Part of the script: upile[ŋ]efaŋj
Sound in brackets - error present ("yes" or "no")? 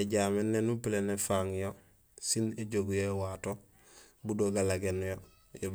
yes